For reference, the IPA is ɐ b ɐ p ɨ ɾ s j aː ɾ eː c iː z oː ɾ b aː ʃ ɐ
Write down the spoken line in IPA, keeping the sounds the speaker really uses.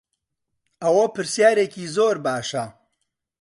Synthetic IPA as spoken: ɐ w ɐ p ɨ ɾ s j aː ɾ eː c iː z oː ɾ b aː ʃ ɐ